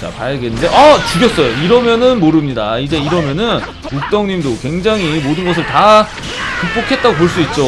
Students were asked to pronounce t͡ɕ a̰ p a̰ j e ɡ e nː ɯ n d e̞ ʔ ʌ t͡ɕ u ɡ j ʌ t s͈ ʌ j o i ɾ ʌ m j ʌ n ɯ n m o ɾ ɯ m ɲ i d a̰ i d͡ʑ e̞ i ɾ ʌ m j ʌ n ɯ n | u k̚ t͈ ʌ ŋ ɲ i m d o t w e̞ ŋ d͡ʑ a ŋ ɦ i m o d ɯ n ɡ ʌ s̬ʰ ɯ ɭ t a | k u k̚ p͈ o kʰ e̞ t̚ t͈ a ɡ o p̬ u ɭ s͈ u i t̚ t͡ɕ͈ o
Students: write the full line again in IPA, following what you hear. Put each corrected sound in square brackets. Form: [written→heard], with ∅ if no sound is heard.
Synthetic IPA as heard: t͡ɕ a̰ p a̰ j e ɡ e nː ɯ n d e̞ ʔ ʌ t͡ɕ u ɡ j ʌ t s͈ ʌ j o i ɾ ʌ m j ʌ n ɯ n m o ɾ ɯ m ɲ i d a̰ i d͡ʑ e̞ i ɾ ʌ m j ʌ n ɯ n | u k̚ t͈ ʌ ŋ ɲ i m d o [t→k] w e̞ ŋ d͡ʑ a ŋ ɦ i m o d ɯ n ɡ ʌ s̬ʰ ɯ ɭ t a | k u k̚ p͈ o kʰ e̞ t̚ t͈ a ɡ o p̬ [u→o] ɭ s͈ u i t̚ t͡ɕ͈ o

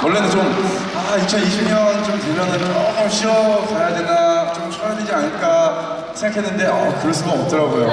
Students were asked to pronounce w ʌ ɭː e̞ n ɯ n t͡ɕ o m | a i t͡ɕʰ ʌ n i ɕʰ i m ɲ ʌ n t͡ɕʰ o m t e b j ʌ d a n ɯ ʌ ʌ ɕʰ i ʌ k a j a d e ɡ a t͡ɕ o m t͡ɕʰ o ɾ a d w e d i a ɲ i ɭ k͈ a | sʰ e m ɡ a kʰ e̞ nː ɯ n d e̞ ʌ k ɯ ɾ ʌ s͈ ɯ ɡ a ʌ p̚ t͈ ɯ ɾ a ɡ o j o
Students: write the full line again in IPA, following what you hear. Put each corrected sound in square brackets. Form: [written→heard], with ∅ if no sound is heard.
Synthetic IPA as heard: w ʌ ɭː e̞ n ɯ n t͡ɕ o m | a i t͡ɕʰ ʌ n i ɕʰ i m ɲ ʌ n [t͡ɕʰ→t͡ɕ] o m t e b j ʌ [d→n] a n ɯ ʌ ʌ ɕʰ i ʌ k a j a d e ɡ a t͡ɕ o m t͡ɕʰ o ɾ a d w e [d→d͡ʑ] i a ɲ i ɭ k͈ a | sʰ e [m→ŋ] ɡ a kʰ e̞ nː ɯ n d e̞ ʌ k ɯ ɾ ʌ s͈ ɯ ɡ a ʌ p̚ t͈ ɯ ɾ a ɡ o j o

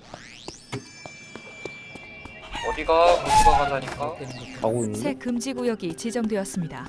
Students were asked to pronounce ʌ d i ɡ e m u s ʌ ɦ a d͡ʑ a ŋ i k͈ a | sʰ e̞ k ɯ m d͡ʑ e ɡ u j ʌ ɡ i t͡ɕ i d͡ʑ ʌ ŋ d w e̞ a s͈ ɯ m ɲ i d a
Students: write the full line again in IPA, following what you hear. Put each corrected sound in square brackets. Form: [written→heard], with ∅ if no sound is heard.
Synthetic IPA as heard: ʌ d i ɡ [e→a] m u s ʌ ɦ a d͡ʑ a [ŋ→ɲ] i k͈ a | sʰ e̞ k ɯ m d͡ʑ [e→i] ɡ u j ʌ ɡ i t͡ɕ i d͡ʑ ʌ ŋ d w e̞ [a→ʌ] s͈ ɯ m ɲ i d a

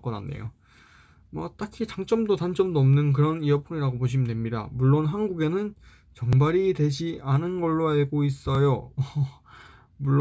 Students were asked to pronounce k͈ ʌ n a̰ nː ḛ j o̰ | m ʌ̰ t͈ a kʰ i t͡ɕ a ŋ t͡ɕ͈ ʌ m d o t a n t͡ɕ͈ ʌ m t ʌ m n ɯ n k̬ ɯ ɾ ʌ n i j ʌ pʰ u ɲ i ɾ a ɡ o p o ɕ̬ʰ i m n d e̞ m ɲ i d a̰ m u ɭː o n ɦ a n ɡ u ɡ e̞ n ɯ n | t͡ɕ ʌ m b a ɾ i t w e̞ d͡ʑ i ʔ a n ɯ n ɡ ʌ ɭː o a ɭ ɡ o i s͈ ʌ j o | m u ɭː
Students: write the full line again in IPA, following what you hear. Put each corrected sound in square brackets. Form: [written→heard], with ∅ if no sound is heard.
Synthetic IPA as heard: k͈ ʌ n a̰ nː ḛ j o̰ | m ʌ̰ t͈ a kʰ i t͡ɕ a ŋ t͡ɕ͈ ʌ m d o t a n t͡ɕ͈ ʌ m [t→d] ʌ m n ɯ n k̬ ɯ ɾ ʌ n i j ʌ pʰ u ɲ i ɾ a ɡ o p o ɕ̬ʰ i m n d e̞ m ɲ i d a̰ m u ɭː o n ɦ a n ɡ u ɡ e̞ n ɯ n | t͡ɕ ʌ [m→ŋ] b a ɾ i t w e̞ d͡ʑ i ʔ a n ɯ n ɡ ʌ ɭː o a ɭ ɡ o i s͈ ʌ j o | m u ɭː

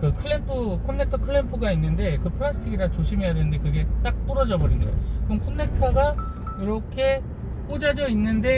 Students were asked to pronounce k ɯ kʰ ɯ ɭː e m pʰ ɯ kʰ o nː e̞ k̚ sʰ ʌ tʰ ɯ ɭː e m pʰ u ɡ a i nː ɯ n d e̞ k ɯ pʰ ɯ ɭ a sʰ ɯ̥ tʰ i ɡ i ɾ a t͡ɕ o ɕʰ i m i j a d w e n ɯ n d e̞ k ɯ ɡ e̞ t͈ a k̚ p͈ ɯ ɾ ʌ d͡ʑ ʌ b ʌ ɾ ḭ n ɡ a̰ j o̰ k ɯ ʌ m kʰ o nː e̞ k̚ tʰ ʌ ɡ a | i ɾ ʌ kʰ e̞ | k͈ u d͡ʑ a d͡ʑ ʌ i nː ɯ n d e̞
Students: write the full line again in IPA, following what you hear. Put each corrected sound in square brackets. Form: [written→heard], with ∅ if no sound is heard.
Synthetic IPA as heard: k ɯ kʰ ɯ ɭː e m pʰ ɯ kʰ o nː e̞ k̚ [sʰ→tʰ] ʌ [tʰ→kʰ] ɯ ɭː e m pʰ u ɡ a i nː ɯ n d e̞ k ɯ pʰ ɯ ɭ a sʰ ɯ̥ tʰ i ɡ i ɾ a t͡ɕ o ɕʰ i m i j a d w e n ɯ n d e̞ k ɯ ɡ e̞ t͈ a k̚ p͈ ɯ ɾ ʌ d͡ʑ ʌ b ʌ ɾ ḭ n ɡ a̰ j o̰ k ɯ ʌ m kʰ o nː e̞ k̚ tʰ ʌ ɡ a | i ɾ ʌ kʰ e̞ | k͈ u d͡ʑ a d͡ʑ ʌ i nː ɯ n d e̞

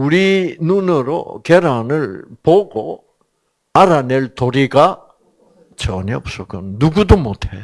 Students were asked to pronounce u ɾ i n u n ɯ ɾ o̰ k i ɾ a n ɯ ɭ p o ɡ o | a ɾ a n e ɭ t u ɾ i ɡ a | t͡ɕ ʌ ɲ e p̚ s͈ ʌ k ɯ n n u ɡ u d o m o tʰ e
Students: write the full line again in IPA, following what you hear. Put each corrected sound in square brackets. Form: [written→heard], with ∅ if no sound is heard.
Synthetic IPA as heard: u ɾ i n u n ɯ ɾ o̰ k [i→e] ɾ a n ɯ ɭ p o ɡ o | a ɾ a n e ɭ t [u→o] ɾ i ɡ a | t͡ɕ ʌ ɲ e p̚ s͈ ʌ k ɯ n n u ɡ u d o m o tʰ e

